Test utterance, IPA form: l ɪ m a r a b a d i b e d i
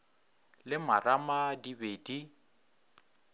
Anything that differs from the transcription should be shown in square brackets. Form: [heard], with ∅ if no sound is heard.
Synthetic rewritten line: l ɪ m a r a [m] a d i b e d i

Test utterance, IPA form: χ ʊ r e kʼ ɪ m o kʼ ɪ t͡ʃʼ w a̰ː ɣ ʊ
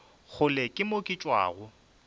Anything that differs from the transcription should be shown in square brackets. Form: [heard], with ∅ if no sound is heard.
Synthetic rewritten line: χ ʊ [l] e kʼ ɪ m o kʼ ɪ t͡ʃʼ w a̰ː ɣ ʊ

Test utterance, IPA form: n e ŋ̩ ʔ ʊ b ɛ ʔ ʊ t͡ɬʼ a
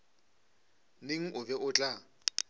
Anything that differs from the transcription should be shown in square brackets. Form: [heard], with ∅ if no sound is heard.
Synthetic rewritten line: n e ŋ̩ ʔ ʊ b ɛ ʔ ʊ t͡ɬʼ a

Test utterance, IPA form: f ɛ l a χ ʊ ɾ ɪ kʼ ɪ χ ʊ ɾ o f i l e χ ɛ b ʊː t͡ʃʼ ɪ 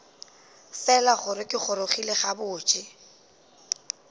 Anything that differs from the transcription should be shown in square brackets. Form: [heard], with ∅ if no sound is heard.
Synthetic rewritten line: f ɛ l a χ ʊ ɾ ɪ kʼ ɪ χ ʊ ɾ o [χ] i l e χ [a] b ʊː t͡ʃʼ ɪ

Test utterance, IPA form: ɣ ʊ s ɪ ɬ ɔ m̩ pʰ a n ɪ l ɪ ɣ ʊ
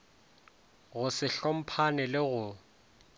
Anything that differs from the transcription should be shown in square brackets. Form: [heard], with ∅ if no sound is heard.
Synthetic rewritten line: ɣ ʊ s ɪ ɬ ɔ m̩ pʰ a n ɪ l ɪ ɣ ʊ

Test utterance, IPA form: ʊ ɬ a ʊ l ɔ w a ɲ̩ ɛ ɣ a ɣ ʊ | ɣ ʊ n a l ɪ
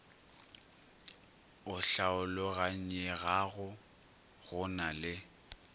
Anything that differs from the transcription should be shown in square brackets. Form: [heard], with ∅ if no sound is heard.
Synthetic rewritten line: ʊ ɬ a ʊ l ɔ [ɣ] a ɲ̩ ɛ ɣ a ɣ ʊ | ɣ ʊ n a l ɪ

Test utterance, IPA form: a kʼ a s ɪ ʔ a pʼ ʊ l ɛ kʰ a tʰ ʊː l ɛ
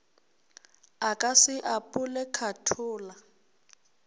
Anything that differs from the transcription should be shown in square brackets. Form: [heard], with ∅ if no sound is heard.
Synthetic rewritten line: a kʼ a s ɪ ʔ a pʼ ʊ l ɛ kʰ a tʰ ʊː l [a]

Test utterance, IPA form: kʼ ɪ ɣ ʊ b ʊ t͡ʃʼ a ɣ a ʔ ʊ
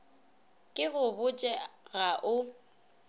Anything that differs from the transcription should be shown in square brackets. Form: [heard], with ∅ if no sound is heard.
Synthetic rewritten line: kʼ ɪ ɣ ʊ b ʊ t͡ʃʼ [ɛ] ɣ a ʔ ʊ

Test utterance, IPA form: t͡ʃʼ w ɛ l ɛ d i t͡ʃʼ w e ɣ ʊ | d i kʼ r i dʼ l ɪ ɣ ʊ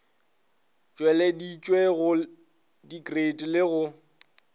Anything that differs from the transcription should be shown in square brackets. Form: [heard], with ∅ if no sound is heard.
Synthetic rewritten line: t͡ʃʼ w ɛ l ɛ d i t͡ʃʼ w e ɣ ʊ | d i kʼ r [e] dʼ l ɪ ɣ ʊ

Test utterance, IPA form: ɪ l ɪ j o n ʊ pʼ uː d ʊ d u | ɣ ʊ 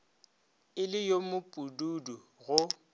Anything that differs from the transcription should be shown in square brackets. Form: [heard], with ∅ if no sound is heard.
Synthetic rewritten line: ɪ l ɪ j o [m] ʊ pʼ [u] d [u] d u | ɣ ʊ

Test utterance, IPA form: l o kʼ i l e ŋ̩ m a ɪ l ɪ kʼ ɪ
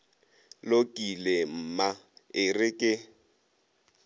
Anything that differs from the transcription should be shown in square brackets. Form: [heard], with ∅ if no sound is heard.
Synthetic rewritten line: l o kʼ i l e [m̩] m a ɪ [r] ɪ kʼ ɪ

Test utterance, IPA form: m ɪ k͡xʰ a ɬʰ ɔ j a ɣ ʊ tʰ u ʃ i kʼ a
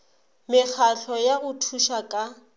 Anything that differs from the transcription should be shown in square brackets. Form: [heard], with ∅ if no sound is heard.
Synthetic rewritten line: m ɪ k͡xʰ a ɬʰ ɔ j a ɣ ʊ tʰ u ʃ [a] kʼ a

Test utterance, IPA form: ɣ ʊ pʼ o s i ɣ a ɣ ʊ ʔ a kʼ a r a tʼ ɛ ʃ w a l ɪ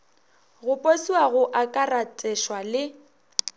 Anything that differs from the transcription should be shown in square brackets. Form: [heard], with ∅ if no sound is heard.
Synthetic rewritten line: ɣ ʊ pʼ o s i [w] a ɣ ʊ ʔ a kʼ a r a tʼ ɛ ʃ w a l ɪ

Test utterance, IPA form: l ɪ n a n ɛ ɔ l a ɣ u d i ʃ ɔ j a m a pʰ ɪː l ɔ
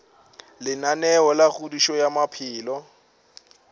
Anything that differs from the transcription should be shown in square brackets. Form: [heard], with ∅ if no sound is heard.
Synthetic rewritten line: l ɪ n a n ɛ ɔ l a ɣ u d i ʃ ɔ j a m a pʰ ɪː l ɔ

